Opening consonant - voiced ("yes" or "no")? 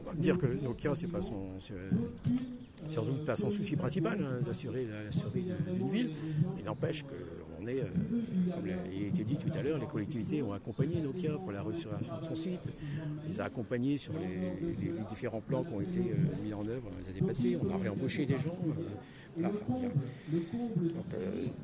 yes